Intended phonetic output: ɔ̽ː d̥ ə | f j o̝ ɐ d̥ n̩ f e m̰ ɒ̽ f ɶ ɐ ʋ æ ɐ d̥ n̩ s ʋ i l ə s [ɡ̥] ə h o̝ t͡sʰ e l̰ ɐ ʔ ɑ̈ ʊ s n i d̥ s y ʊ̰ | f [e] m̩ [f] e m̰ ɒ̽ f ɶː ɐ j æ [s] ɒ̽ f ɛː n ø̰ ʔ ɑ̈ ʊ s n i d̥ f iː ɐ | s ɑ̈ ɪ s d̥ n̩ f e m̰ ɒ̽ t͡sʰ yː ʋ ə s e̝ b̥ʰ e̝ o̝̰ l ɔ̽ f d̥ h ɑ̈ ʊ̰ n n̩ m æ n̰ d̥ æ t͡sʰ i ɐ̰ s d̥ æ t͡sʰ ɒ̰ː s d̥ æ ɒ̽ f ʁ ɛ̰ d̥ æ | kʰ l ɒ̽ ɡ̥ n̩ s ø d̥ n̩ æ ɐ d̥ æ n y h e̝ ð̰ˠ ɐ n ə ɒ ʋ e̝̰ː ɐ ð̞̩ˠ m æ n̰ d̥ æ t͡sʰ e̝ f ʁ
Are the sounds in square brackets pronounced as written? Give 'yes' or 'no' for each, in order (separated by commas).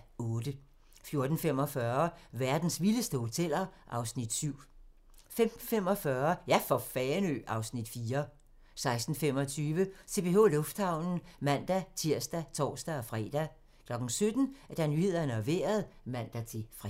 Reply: no, yes, yes, no